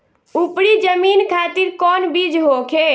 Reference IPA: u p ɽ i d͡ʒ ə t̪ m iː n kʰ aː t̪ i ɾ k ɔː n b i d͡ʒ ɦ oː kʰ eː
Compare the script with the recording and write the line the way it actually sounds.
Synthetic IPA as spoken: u p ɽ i d͡ʒ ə m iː n kʰ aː t̪ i ɾ k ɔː n b i d͡ʒ ɦ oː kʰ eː